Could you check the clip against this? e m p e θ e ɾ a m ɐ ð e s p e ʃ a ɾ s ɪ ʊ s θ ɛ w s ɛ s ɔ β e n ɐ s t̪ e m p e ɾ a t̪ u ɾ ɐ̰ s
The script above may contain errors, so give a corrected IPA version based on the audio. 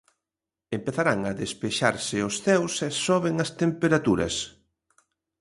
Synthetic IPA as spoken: e m p e θ a ɾ a ŋ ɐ ð e s p e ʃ a ɾ s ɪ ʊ s θ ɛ w s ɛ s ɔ β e ŋ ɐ s t̪ e m p e ɾ a t̪ u ɾ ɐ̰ s